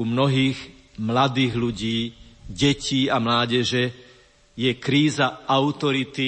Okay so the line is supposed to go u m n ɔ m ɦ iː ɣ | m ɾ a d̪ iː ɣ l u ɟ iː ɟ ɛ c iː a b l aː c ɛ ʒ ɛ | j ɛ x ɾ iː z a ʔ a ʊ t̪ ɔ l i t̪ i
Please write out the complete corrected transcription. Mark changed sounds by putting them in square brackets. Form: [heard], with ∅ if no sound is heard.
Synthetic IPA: u m n ɔ [∅] ɦ iː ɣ | m [l] a d̪ iː ɣ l u ɟ iː ɟ ɛ c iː a [m] l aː [ɟ] ɛ ʒ ɛ | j ɛ [k] ɾ iː z a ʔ a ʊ t̪ ɔ [ɾ] i t̪ i